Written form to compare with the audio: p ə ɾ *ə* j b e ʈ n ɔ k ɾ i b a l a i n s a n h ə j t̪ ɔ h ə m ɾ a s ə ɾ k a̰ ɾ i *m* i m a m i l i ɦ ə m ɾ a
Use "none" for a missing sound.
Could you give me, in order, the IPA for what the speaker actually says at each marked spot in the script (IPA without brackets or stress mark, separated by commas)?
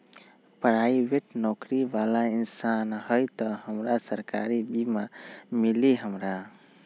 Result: a, b